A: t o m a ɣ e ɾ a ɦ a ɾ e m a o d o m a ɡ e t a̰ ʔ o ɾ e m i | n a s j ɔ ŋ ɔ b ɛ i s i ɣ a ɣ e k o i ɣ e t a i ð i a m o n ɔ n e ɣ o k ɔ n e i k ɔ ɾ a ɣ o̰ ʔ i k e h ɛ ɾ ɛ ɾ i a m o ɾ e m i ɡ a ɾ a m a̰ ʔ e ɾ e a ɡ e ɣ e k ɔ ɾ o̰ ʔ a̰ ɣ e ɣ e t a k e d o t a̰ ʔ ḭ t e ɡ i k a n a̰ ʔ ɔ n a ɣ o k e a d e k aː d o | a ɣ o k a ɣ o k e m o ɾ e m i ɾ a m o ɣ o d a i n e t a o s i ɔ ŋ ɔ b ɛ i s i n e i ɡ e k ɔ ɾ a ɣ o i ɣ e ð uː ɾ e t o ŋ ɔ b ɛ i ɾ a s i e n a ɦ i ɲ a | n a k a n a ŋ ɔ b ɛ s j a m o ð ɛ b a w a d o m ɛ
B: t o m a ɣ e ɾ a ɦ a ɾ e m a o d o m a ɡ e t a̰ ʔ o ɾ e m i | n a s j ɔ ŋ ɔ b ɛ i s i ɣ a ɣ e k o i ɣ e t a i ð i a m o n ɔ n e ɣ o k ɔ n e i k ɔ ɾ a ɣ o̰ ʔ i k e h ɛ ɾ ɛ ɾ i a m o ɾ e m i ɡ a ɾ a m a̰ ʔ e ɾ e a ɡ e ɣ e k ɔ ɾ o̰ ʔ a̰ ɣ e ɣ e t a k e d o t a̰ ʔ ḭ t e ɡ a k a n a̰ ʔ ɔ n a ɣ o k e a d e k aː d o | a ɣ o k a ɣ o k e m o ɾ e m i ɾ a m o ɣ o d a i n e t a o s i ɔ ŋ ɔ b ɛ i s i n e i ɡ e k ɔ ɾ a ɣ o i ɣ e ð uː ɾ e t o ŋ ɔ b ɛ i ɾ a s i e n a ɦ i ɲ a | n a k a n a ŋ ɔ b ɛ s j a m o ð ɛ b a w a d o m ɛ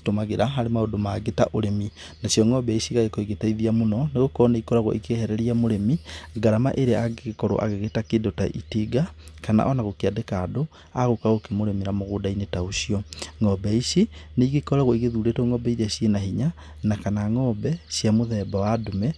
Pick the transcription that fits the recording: B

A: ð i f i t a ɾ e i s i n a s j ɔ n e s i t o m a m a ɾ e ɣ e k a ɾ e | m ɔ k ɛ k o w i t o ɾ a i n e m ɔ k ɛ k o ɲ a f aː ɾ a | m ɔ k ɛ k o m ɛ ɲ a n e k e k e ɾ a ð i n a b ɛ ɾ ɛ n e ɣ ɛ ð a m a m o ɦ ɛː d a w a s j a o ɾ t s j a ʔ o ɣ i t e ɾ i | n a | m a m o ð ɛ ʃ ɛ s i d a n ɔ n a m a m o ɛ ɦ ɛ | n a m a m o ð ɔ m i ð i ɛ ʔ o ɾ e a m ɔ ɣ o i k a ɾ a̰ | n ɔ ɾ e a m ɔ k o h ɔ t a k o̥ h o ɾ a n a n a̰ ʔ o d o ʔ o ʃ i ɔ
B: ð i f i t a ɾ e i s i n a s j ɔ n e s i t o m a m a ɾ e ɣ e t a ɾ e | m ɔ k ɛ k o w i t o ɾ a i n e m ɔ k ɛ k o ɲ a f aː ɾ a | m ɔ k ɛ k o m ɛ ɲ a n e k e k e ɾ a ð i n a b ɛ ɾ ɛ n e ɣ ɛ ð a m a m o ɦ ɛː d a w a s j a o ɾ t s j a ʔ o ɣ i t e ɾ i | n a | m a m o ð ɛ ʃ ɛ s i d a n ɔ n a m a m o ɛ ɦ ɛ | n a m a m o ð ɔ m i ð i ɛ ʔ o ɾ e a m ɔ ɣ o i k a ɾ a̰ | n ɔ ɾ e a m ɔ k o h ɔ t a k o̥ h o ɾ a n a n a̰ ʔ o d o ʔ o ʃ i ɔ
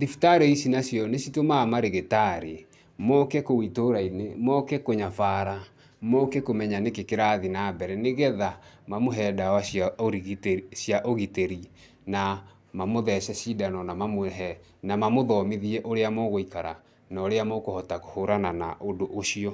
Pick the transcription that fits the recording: B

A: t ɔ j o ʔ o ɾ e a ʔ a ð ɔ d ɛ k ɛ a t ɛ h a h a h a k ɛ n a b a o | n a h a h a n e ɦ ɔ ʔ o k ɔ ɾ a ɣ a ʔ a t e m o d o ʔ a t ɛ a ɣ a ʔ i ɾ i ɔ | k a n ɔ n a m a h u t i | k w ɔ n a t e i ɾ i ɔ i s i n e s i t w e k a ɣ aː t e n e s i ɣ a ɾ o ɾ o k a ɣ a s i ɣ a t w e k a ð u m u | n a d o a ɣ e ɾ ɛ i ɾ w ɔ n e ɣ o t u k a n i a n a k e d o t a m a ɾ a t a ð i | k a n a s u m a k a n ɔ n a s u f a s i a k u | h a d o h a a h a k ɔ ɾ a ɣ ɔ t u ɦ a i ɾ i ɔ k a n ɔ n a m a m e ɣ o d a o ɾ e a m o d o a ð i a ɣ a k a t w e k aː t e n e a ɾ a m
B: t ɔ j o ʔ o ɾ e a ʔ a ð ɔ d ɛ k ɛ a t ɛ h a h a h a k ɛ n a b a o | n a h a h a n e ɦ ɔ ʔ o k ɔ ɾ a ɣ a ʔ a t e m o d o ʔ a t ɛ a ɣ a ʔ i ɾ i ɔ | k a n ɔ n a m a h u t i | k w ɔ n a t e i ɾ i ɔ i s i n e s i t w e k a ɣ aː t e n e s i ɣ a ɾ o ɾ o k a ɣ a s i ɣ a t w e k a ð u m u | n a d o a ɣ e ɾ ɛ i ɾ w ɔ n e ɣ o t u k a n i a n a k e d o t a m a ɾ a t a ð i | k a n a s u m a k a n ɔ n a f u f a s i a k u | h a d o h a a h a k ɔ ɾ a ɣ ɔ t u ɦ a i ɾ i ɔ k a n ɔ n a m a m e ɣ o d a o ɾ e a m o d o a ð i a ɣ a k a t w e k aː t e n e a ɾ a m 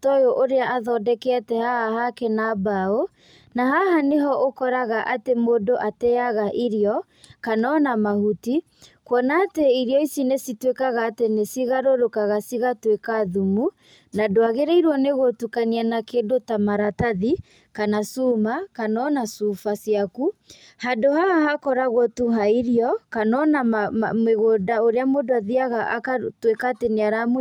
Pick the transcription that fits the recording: A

